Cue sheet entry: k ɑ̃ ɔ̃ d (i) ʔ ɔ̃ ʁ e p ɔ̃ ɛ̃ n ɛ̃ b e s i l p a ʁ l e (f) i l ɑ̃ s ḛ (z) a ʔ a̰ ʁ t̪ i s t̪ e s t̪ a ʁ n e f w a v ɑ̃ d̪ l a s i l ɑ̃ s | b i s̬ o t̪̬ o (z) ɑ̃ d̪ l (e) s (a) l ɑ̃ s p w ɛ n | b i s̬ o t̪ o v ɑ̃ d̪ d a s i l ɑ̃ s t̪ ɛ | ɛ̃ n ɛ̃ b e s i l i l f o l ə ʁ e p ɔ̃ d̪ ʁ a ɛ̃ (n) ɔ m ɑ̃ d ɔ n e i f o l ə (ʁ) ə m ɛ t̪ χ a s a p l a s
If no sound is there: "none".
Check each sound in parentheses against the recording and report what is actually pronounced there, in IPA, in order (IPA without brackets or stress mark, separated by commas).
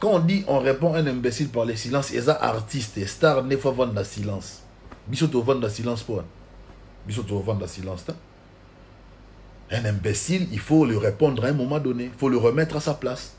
i, s, z, v, a, i, m, ʁ